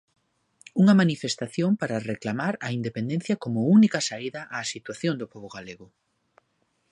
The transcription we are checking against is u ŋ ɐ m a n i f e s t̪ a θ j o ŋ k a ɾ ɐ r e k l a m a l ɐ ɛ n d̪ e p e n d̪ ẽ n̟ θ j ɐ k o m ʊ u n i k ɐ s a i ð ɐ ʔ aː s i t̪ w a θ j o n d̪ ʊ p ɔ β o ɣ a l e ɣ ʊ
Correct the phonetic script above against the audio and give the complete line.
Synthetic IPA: u ŋ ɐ m a n i f e s t̪ a θ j o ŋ p a ɾ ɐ r e k l a m a ɾ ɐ i n d̪ e p e n d̪ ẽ n̟ θ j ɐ k o m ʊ u n i k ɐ s a i ð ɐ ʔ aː s i t̪ w a θ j o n d̪ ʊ p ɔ β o ɣ a l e ɣ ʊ